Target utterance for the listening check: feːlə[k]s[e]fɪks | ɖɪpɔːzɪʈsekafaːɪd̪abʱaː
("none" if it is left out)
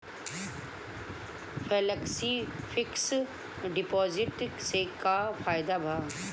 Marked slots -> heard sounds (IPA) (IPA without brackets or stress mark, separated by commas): k, i